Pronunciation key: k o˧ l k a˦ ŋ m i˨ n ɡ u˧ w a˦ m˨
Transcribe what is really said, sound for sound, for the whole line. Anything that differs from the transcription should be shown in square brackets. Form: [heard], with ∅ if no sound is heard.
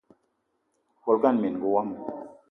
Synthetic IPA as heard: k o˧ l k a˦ [n] m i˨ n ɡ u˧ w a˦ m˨